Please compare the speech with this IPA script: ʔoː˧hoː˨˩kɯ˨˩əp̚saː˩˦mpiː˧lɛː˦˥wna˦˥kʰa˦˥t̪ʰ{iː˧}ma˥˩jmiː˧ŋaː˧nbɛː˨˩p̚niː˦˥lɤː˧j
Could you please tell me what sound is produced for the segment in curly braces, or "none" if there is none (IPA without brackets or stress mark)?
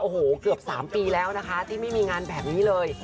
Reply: iː˥˩